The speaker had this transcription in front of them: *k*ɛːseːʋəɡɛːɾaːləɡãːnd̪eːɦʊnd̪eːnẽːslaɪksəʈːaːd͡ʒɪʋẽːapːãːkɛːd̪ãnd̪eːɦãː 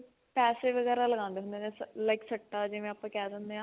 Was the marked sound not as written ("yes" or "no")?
yes